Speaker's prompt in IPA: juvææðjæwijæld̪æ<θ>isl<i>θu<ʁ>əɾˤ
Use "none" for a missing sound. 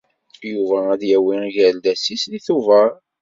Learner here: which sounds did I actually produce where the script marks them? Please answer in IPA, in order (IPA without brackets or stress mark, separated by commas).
s, i, v